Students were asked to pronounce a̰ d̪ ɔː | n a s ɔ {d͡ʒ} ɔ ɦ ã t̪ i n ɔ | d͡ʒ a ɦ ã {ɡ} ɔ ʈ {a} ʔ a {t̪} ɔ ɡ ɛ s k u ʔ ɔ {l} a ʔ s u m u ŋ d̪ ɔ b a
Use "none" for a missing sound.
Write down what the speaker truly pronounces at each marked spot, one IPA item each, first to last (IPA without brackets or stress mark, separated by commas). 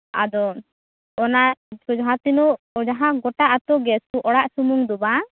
d͡ʒ, ɡ, a, t̪, ɽ